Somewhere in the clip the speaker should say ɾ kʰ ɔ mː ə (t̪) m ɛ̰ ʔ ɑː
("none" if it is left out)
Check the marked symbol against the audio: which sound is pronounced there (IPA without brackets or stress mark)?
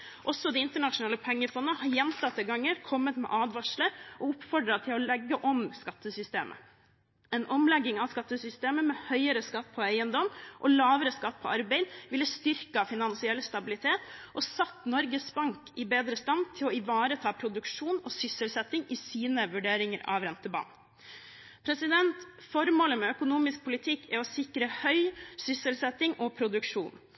t̪